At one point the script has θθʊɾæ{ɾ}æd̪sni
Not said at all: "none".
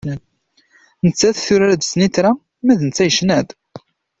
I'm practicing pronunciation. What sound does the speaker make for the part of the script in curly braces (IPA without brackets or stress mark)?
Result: ɾ